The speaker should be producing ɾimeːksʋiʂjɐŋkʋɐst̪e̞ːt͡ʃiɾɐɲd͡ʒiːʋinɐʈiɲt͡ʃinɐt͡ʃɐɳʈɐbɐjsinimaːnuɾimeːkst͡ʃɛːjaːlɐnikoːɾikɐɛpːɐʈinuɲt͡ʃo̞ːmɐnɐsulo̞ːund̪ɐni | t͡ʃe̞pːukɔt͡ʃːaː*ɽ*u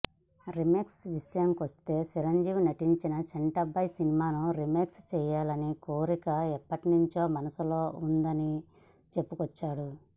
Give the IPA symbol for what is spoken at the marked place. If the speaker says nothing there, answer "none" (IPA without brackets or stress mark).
ɽ